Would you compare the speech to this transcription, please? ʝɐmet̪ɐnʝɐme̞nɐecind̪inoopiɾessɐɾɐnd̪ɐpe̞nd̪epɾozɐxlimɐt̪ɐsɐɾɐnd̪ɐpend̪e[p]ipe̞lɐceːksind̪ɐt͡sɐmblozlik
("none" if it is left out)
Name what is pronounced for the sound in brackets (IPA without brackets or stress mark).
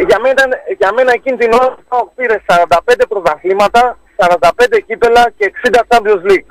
c